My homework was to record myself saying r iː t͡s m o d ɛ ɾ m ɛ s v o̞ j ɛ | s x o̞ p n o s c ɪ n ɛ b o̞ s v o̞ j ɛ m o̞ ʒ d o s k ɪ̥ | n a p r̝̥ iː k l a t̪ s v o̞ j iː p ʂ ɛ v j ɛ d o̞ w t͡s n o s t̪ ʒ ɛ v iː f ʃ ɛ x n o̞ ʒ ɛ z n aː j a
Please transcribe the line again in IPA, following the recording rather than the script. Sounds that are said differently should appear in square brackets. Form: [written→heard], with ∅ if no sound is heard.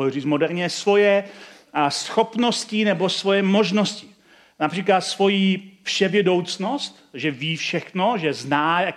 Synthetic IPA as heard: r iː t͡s m o d ɛ ɾ [m→ɲ] ɛ s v o̞ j ɛ | s x o̞ p n o s c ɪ n ɛ b o̞ s v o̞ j ɛ m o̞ ʒ [d→n] o s [k→c] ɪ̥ | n a p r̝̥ iː k l a t̪ s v o̞ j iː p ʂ ɛ v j ɛ d o̞ w t͡s n o s t̪ ʒ ɛ v iː f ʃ ɛ x n o̞ ʒ ɛ z n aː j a